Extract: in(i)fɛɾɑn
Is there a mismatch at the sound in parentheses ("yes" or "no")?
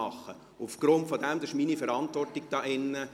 no